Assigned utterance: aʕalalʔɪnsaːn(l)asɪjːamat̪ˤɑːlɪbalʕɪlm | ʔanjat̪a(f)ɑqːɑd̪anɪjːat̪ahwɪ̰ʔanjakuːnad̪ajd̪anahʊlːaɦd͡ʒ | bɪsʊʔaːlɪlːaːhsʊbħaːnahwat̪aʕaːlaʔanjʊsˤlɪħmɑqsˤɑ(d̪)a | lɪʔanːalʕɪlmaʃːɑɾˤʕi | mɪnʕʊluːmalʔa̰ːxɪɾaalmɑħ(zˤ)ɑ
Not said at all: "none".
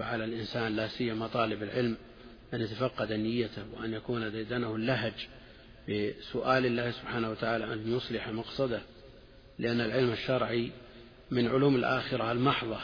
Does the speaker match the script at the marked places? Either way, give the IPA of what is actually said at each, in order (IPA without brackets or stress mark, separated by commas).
l, f, d̪, ðˤ